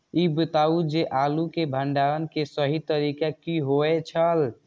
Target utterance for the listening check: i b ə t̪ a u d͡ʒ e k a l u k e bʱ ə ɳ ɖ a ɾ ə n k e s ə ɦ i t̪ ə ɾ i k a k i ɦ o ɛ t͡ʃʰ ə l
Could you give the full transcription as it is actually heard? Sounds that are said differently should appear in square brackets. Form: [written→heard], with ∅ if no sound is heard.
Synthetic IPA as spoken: i b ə t̪ a u d͡ʒ e [k→ʔ] a l u k e bʱ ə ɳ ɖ a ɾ ə n k e s ə ɦ i t̪ ə ɾ i k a k i ɦ o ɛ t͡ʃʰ ə l